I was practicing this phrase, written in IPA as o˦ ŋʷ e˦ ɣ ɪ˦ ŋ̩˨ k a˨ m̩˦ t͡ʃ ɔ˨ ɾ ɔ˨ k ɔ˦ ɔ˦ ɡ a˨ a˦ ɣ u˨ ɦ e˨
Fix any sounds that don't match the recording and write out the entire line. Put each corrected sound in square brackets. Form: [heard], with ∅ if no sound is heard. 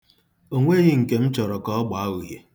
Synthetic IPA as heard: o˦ ŋʷ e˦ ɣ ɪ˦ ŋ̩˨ k [e˨] m̩˦ t͡ʃ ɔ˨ ɾ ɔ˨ k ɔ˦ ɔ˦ [ɡ͡b] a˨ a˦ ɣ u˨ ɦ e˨